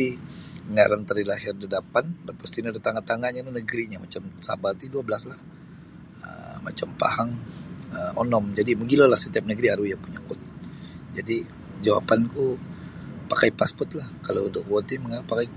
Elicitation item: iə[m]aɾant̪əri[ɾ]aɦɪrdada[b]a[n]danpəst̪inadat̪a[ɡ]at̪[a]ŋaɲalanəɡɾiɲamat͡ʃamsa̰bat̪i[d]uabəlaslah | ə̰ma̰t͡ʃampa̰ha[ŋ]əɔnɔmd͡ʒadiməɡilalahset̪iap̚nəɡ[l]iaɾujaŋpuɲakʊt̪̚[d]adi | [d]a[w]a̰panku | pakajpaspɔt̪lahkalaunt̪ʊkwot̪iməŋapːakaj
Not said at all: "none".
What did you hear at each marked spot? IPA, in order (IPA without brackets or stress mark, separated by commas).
ŋ, l, p, n, ŋ, a, d, ŋ, ɾ, d͡ʒ, d͡ʒ, w